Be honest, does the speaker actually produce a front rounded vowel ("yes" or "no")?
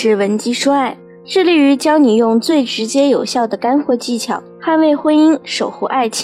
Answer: yes